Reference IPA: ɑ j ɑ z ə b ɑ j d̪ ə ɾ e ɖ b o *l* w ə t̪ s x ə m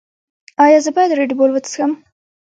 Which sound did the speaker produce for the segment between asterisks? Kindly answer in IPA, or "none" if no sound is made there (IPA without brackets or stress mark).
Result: l